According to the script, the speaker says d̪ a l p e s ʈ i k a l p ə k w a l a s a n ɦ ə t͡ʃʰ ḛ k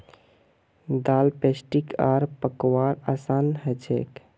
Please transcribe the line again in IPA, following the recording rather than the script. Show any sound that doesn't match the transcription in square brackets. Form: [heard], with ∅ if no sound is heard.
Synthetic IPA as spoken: d̪ a l p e s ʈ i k a [ɾ] p ə k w a [ɾ] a s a n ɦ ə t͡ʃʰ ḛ k